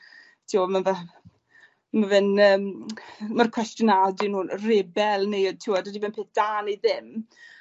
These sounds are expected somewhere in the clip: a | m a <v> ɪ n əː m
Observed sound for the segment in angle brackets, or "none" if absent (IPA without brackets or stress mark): v